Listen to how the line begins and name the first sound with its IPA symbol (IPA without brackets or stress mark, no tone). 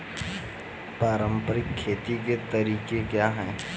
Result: p